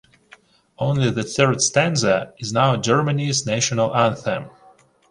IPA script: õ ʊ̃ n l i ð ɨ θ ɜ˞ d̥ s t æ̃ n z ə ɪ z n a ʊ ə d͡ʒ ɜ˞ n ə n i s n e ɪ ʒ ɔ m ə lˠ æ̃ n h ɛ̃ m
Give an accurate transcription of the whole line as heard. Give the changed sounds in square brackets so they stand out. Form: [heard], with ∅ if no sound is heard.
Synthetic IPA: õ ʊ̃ n l i ð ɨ θ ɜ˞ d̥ s t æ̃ n z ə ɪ z n a ʊ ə d͡ʒ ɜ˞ [m] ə n i [z] n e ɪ [ʃ] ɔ [n] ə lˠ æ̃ n [θ] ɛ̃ m